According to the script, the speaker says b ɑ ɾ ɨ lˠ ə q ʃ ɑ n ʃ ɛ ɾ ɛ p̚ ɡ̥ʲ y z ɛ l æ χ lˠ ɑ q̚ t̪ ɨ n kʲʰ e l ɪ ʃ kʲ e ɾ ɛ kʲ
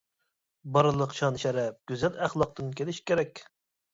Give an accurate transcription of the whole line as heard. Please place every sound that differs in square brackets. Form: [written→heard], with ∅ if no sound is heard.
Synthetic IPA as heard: b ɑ ɾ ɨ lˠ ə q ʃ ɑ n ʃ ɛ ɾ ɛ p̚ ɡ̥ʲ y z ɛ l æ χ lˠ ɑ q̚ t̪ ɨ n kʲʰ e l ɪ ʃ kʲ e ɾ ɛ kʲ

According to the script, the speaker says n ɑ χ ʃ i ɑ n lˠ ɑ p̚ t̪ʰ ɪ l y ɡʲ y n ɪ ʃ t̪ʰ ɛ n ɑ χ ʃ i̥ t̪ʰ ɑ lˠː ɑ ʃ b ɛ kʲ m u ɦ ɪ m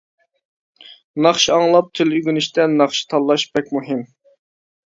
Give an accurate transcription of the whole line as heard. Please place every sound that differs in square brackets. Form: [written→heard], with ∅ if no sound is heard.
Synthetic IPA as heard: n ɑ χ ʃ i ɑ [n→ŋ] lˠ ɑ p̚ t̪ʰ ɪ l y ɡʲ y n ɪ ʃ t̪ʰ ɛ n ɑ χ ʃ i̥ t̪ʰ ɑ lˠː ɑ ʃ b ɛ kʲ m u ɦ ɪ m

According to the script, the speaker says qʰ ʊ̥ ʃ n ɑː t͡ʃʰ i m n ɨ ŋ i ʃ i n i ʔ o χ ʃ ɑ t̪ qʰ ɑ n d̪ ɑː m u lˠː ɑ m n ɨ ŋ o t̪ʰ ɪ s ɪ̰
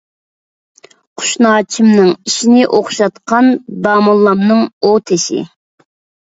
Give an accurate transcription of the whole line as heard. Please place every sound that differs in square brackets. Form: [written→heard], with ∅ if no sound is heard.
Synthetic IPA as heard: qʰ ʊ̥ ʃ n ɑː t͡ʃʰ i m n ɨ ŋ i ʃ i n [i→ɪ] ʔ o χ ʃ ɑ t̪ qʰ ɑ n d̪ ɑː m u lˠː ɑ m n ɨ ŋ o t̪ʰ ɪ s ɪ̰

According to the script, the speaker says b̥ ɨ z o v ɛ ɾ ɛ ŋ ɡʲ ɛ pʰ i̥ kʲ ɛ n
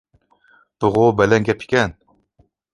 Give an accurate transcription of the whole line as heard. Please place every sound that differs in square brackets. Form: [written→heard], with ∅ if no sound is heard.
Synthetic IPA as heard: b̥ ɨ [z→ʁ] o [v→b] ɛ [ɾ→l] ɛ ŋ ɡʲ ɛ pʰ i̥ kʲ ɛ n

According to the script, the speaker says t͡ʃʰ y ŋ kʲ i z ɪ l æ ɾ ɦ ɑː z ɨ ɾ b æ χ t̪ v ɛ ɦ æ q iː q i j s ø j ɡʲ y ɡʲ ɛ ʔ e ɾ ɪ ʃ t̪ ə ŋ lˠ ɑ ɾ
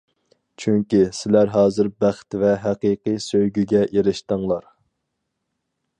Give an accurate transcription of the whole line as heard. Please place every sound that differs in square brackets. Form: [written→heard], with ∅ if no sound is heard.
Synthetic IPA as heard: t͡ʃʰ y ŋ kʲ i [z→s] ɪ l æ ɾ ɦ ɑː z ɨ ɾ b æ χ t̪ v ɛ ɦ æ q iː q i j s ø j ɡʲ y ɡʲ ɛ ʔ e ɾ ɪ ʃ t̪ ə ŋ lˠ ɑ ɾ

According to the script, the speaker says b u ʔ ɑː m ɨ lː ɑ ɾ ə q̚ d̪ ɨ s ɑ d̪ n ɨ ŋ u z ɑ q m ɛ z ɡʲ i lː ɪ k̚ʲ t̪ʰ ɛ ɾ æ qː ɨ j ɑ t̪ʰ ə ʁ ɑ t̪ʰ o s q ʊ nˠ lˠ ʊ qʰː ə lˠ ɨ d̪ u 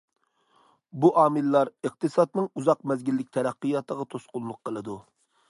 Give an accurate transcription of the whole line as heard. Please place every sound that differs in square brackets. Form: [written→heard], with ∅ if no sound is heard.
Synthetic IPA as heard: b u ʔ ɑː m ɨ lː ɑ ɾ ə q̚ [d̪→t̪] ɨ s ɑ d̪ n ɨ ŋ u z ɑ q m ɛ z ɡʲ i lː ɪ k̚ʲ t̪ʰ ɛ ɾ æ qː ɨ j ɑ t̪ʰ ə ʁ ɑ t̪ʰ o s q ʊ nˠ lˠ ʊ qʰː ə lˠ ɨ d̪ u

